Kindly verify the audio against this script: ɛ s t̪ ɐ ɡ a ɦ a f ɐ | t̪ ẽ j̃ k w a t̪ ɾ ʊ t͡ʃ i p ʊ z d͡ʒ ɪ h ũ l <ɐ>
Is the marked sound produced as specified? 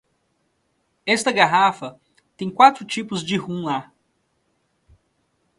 no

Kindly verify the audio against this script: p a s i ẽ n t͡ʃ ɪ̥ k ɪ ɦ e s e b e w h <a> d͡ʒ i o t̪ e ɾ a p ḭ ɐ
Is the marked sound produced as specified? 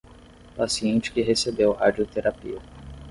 yes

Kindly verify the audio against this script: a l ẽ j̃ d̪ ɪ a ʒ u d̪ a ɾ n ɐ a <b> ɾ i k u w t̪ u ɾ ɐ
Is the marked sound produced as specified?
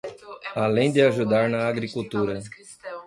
no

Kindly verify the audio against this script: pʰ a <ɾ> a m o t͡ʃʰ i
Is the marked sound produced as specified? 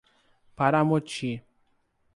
yes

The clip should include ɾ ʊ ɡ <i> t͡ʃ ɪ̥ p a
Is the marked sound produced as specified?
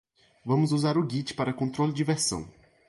yes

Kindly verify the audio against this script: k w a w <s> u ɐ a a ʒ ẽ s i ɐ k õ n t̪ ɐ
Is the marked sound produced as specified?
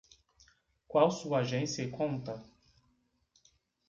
yes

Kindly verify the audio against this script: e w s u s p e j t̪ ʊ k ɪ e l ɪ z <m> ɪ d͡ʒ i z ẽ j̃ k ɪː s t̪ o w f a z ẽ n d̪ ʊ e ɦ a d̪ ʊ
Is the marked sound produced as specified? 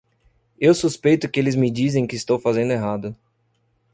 yes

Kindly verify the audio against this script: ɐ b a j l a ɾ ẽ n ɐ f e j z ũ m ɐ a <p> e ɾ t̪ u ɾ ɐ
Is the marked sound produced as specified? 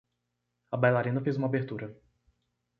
no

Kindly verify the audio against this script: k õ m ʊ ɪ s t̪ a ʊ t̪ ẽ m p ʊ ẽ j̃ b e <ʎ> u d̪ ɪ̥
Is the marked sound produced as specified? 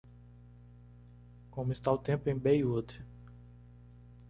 no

